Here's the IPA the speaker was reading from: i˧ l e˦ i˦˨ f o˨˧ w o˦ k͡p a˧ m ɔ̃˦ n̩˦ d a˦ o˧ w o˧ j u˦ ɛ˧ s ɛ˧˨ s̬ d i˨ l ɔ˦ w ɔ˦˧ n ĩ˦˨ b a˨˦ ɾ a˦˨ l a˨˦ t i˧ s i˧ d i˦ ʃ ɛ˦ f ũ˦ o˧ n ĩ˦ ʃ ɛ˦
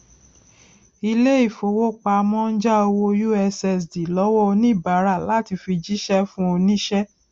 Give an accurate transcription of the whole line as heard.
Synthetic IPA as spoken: i˧ l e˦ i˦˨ f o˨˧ w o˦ k͡p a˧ m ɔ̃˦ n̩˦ d͡ʒ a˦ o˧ w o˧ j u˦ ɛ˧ s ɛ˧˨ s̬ d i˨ l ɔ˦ w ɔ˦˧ n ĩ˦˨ b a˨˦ ɾ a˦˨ l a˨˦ t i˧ f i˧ d͡ʒ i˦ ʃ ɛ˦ f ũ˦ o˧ n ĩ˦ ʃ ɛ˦